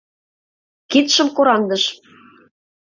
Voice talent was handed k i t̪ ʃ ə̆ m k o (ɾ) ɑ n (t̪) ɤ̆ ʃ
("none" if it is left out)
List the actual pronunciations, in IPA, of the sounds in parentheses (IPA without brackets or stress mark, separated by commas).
ɾ, d̪